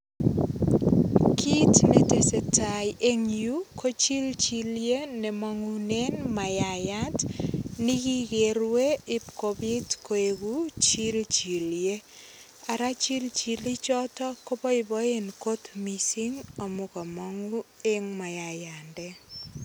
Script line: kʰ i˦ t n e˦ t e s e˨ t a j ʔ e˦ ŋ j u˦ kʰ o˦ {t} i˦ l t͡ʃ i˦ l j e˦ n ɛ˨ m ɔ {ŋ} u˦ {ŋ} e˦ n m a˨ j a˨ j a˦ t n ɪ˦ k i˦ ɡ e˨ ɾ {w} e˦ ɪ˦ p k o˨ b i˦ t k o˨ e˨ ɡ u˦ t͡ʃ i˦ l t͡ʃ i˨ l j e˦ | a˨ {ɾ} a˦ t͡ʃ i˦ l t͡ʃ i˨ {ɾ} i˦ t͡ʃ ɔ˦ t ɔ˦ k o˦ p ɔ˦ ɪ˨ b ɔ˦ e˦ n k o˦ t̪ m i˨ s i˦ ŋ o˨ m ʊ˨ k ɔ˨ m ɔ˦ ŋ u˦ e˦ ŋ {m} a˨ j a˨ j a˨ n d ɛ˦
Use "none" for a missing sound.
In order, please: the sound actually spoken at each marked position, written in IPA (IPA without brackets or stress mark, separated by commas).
t͡ʃ, ŋ, n, w, ɾ, l, m